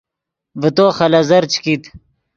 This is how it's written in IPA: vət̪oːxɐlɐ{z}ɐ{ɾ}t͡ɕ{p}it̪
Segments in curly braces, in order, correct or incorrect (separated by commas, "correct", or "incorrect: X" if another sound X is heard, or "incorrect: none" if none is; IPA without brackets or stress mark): correct, correct, incorrect: k